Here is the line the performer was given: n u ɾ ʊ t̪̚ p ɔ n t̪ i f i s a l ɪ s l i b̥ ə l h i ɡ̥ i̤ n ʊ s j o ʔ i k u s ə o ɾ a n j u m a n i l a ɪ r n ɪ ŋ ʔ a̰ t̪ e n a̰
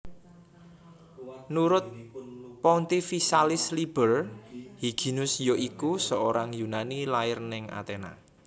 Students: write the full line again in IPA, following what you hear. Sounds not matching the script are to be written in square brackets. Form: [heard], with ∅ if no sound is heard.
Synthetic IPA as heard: n u ɾ ʊ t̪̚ p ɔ n t̪ i f i s a l ɪ s l i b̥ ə [r] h i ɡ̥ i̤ n ʊ s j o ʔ i k u s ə o ɾ a [ŋ] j u [n] a n i l a ɪ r n ɪ ŋ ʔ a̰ t̪ e n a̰